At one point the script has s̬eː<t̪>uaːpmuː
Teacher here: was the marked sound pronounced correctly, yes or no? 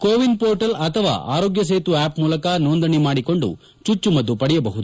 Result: yes